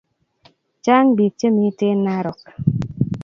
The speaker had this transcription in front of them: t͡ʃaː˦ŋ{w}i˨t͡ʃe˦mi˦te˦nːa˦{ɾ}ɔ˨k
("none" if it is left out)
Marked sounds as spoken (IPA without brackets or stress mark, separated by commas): b, ɾ